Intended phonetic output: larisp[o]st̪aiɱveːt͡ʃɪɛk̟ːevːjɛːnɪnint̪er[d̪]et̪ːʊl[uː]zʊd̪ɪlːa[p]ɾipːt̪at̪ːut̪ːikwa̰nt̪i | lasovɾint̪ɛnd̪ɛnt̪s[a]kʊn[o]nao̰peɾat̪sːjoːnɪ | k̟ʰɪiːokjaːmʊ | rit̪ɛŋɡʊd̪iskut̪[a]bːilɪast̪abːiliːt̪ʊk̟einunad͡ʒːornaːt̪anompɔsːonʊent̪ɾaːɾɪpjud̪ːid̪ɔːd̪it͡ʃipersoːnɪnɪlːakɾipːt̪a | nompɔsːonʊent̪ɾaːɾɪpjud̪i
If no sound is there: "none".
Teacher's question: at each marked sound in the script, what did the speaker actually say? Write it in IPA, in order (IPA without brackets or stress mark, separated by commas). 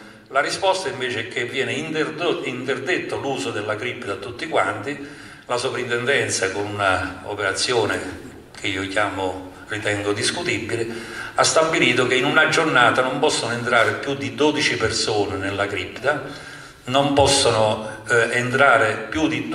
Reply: ɔ, d̪, uː, k, a, u, i